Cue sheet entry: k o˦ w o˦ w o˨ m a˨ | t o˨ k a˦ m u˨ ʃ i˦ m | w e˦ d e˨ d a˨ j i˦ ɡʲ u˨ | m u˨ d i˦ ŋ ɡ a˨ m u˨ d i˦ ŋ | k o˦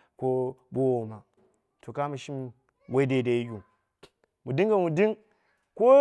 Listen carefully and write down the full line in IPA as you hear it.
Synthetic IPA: k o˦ b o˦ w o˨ m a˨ | t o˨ k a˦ m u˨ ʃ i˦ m | w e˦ d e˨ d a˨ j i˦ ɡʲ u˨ | m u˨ d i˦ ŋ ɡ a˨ m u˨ d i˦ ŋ | k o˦

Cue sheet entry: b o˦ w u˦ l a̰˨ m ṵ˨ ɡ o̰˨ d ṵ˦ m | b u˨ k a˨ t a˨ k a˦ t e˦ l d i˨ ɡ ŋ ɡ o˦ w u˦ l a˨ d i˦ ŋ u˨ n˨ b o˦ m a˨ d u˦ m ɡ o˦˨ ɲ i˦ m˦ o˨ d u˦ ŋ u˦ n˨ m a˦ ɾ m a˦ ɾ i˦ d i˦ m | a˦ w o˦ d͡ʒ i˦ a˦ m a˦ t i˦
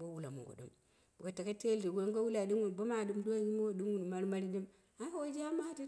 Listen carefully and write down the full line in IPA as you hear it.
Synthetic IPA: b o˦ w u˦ l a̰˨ m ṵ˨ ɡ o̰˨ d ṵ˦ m | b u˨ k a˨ t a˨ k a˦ t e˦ l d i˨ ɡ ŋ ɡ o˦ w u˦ l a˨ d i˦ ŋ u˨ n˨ b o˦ m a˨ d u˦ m d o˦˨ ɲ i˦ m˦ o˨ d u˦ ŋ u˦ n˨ m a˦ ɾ m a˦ ɾ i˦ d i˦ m | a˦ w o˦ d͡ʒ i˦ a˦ m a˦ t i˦

